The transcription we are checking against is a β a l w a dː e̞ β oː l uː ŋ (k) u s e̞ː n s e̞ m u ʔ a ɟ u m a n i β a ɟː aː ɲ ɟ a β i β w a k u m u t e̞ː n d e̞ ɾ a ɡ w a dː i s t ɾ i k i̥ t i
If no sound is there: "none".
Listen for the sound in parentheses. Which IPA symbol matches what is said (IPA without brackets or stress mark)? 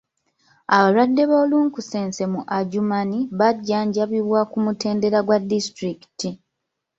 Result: k